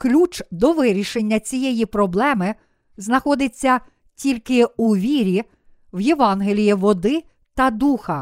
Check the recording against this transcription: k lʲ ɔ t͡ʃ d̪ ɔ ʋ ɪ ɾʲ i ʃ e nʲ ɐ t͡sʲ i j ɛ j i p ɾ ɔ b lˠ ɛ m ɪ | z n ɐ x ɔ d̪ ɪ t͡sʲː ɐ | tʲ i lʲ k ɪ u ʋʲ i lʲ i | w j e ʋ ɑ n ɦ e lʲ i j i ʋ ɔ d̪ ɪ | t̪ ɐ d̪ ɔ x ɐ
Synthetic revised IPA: k lʲ u t͡ʃ d̪ ɔ ʋ ɪ ɾʲ i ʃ e nʲː ɐ t͡sʲ i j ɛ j i p ɾ ɔ b lˠ ɛ m ɪ | z n ɐ x ɔ d̪ ɪ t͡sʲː ɐ | tʲ i lʲ k ɪ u ʋʲ i ɾʲ i | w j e ʋ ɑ n ɦ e lʲ i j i ʋ ɔ d̪ ɪ | t̪ ɐ d̪ u x ɐ